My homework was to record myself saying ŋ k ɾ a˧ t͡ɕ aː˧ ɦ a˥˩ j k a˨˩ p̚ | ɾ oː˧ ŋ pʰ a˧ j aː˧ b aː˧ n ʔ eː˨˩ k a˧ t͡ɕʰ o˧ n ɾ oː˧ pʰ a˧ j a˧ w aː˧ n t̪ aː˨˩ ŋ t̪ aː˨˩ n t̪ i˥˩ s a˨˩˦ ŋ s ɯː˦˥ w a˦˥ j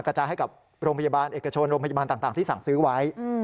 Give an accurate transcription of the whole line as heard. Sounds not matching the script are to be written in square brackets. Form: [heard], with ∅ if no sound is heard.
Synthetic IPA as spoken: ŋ k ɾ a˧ t͡ɕ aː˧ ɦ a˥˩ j k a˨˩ p̚ | ɾ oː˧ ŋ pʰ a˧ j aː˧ b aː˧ n ʔ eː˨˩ k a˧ t͡ɕʰ o˧ n ɾ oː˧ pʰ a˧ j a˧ [b] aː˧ n t̪ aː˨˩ ŋ t̪ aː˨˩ [ŋ] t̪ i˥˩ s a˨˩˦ ŋ s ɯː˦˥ w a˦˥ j